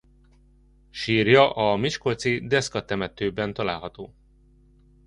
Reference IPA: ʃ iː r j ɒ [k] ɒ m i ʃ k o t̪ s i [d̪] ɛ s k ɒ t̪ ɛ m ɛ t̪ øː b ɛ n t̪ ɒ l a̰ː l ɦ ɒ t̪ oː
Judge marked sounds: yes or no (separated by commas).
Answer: no, yes